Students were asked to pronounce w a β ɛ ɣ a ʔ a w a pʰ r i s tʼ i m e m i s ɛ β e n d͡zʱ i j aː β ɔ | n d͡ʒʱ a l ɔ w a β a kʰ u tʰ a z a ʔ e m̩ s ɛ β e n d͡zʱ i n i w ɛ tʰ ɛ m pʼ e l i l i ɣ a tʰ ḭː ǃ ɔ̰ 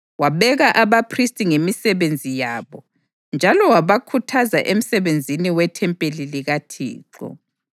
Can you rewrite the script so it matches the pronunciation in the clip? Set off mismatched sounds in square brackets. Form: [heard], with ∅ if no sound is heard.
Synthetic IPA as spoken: w a β ɛ ɣ a ʔ a [β] a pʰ r i s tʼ i [ŋ] e m i s ɛ β e n d͡zʱ i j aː β ɔ | n d͡ʒʱ a l ɔ w a β a kʰ u tʰ a z a ʔ e m̩ s ɛ β e n d͡zʱ i n i w ɛ tʰ ɛ m pʼ e l i l i ɣ a tʰ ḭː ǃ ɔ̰

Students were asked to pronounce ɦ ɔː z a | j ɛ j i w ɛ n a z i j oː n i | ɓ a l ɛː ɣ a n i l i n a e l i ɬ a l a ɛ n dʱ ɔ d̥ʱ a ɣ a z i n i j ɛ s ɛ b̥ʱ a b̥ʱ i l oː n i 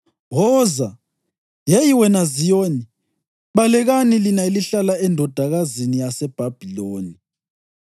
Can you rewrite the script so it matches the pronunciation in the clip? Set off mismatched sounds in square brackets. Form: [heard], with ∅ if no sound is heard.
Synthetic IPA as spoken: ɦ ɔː z a | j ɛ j i w ɛ n a z i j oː n i | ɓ a l [ɛ] ɣ a n i l i n a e l i ɬ a l a ɛ n dʱ ɔ d̥ʱ a ɣ a z i n i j [a] s ɛ b̥ʱ a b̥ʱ i l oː n i

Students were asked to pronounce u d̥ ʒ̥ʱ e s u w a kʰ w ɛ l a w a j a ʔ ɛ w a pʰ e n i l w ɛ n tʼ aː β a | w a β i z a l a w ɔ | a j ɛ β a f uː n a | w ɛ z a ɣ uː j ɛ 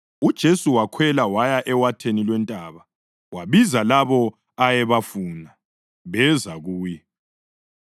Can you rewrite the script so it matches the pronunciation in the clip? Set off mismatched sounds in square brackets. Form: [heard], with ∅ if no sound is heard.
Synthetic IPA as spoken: u d̥ ʒ̥ʱ e s u w a kʰ w ɛ l a w a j a ʔ ɛ w a [tʰ] e n i l w ɛ n tʼ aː β a | w a β i z a l a [β] ɔ | a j ɛ β a f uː n a | [β] ɛ z a ɣ uː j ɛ

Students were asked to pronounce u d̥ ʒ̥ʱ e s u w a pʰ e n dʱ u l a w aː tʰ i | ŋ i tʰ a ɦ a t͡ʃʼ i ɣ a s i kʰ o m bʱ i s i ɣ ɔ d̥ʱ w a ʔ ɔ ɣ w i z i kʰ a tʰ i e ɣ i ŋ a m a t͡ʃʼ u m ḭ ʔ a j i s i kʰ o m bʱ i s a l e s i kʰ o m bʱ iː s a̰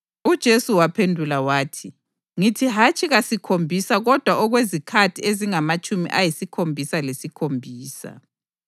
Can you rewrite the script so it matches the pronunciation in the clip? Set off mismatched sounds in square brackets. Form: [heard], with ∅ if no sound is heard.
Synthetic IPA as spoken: u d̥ ʒ̥ʱ e s u w a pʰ e n dʱ u l a w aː tʰ i | ŋ i tʰ [i] ɦ a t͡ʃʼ i ɣ a s i kʰ o m bʱ i s [a] ɣ ɔ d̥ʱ w a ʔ ɔ ɣ w [e] z i kʰ a tʰ i e [z] i ŋ a m a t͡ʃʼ u m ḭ ʔ a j i s i kʰ o m bʱ i s a l e s i kʰ o m bʱ iː s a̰

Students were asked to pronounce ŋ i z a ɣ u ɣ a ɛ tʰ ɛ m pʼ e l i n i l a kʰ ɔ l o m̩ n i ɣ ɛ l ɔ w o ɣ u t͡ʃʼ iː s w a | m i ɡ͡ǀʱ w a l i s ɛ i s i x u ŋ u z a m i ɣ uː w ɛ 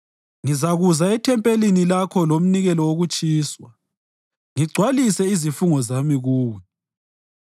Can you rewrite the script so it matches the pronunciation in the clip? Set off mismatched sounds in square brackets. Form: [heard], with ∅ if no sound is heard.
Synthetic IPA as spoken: ŋ i z a ɣ u [z] a ɛ tʰ ɛ m pʼ e l i n i l a kʰ ɔ l o m̩ n i ɣ ɛ l ɔ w o ɣ u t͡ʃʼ iː s w a | [ŋ] i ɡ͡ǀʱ w a l i s ɛ i [z] i [f] u ŋ [ɔ] z a m i ɣ uː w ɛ

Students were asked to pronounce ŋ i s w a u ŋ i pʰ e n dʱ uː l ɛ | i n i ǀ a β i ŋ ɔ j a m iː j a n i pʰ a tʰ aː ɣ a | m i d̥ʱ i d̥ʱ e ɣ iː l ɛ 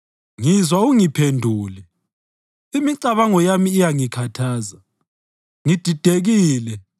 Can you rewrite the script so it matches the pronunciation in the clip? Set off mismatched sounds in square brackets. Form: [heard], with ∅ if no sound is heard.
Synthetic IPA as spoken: ŋ i [z] w a u ŋ i pʰ e n dʱ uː l ɛ | i [m] i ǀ a β [a] ŋ ɔ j a m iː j a [ŋ] i [kʰ] a tʰ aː [z] a | [ŋ] i d̥ʱ i d̥ʱ e ɣ iː l ɛ

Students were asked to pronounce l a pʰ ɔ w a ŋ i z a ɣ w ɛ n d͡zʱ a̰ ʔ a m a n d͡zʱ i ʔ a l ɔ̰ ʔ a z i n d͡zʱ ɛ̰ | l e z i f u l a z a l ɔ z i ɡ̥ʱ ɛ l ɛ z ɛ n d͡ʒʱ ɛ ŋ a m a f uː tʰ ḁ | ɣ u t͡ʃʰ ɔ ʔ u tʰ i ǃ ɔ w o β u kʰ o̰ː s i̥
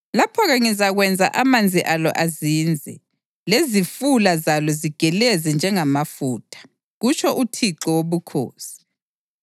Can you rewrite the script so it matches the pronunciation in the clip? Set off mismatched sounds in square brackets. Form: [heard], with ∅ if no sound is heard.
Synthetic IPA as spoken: l a pʰ ɔ [ɣ] a ŋ i z a ɣ w ɛ n d͡zʱ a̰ ʔ a m a n d͡zʱ i ʔ a l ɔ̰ ʔ a z i n d͡zʱ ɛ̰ | l e z i f u l a z a l ɔ z i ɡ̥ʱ ɛ l ɛ z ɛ n d͡ʒʱ ɛ ŋ a m a f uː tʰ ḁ | ɣ u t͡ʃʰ ɔ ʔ u tʰ i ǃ ɔ w o β u kʰ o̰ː s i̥

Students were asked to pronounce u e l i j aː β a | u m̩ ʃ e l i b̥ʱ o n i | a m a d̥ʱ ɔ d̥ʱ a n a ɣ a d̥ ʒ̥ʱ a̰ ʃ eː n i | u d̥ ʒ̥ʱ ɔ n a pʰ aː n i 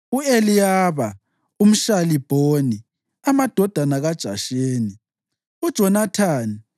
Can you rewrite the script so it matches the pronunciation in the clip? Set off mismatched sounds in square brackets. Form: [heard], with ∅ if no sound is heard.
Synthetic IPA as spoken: u e l i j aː β a | u m̩ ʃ [a] l i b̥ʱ o n i | a m a d̥ʱ ɔ d̥ʱ a n a ɣ a d̥ ʒ̥ʱ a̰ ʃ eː n i | u d̥ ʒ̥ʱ ɔ n a [tʰ] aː n i

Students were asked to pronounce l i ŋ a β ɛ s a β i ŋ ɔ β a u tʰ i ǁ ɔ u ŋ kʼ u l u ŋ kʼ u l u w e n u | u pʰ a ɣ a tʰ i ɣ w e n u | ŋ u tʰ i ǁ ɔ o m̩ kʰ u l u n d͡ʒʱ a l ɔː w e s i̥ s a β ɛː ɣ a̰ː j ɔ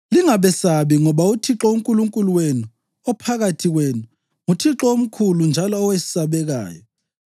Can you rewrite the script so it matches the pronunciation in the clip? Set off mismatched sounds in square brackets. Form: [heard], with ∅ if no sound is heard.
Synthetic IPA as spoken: l i ŋ a β ɛ s a β i ŋ ɔ β a u tʰ i ǁ ɔ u ŋ kʼ u l u ŋ kʼ u l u w e n u | [ɔ] pʰ a ɣ a tʰ i ɣ w e n u | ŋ u tʰ i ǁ ɔ o m̩ kʰ u l u n d͡ʒʱ a l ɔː w e s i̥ s a β [ɛ] ɣ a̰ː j ɔ

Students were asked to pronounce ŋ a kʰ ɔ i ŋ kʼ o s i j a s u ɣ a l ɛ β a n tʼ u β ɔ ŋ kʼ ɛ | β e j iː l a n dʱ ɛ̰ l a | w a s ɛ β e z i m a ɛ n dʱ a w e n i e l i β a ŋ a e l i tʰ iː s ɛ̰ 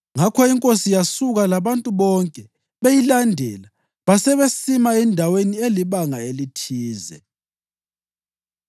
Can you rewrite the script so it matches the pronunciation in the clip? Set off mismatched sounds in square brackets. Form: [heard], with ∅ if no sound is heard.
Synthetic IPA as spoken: ŋ a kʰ ɔ i ŋ kʼ o s i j a s u ɣ a l [a] β a n tʼ u β ɔ ŋ kʼ ɛ | β e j [i] l a n dʱ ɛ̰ l a | [β] a s ɛ β e [s] i m a ɛ n dʱ a w e n i e l i β a ŋ a e l i tʰ iː [z] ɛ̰

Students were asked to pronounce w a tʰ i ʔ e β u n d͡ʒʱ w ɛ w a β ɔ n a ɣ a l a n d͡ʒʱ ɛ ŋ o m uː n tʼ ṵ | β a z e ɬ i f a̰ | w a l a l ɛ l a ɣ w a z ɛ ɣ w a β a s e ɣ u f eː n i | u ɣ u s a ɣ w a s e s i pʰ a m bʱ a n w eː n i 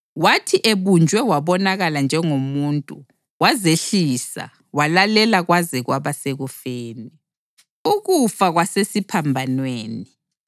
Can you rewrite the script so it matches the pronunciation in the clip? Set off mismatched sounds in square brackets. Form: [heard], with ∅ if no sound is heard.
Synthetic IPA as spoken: w a tʰ i ʔ e β u n d͡ʒʱ w ɛ w a β ɔ n a ɣ a l a n d͡ʒʱ ɛ ŋ o m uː n tʼ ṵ | [w] a z e ɬ i [s] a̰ | w a l a l ɛ l a ɣ w a z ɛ ɣ w a β a s e ɣ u f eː n i | u ɣ u [f] a ɣ w a s e s i pʰ a m bʱ a n w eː n i

